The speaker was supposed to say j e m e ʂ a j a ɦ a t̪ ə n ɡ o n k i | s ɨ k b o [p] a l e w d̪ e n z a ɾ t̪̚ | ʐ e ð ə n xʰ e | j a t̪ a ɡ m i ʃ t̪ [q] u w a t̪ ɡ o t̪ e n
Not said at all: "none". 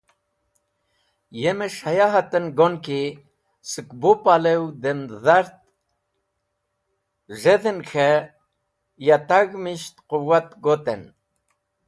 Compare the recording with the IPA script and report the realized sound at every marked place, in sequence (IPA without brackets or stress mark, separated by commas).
p, q